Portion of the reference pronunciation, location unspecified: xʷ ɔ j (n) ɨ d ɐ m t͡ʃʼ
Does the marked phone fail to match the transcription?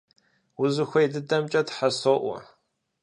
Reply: yes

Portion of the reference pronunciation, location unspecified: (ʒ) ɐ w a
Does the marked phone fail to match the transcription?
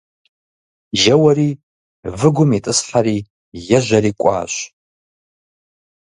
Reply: no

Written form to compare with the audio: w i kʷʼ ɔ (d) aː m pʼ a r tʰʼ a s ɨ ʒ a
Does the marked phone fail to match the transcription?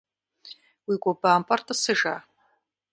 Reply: yes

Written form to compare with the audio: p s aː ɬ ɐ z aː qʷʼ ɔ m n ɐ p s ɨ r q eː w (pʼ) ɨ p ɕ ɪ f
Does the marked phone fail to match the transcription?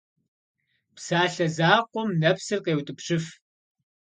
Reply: yes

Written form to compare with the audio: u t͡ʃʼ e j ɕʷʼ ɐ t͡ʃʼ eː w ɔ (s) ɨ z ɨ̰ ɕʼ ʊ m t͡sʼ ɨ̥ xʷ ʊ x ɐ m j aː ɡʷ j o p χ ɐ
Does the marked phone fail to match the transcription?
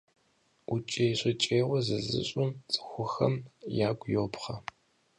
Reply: yes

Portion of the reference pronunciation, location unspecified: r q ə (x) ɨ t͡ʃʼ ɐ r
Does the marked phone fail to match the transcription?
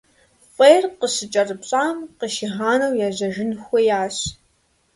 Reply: yes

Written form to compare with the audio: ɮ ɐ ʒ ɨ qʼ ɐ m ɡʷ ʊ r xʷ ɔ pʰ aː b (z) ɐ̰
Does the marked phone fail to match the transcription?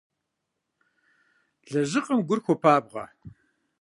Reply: yes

